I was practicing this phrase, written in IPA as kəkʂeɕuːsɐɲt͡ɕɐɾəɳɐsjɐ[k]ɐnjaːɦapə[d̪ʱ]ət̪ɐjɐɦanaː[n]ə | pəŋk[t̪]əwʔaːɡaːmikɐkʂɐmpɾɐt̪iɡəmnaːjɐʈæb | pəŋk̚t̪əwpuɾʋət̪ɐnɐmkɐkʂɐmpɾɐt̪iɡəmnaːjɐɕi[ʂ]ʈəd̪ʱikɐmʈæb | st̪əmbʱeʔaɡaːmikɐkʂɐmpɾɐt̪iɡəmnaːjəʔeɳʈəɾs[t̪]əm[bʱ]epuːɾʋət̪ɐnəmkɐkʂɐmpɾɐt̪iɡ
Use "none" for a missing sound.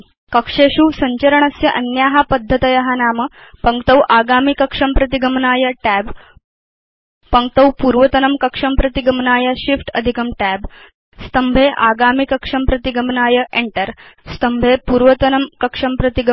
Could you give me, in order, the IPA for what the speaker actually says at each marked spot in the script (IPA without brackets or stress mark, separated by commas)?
ʔ, d̪ʱː, m, t̪, f, t̪, bʱ